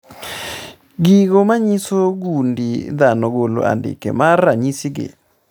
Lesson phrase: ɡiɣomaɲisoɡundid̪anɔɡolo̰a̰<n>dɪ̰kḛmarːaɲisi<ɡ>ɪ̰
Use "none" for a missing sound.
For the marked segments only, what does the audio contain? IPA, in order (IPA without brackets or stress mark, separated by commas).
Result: n, ɡ